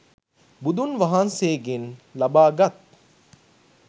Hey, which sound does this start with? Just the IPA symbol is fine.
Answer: b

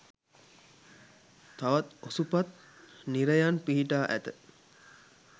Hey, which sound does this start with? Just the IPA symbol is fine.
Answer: t̪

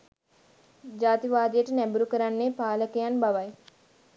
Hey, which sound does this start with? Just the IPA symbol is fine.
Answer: d͡ʒ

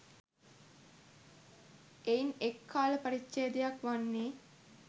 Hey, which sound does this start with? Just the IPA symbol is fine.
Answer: e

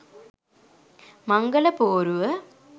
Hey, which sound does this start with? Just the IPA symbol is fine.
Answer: m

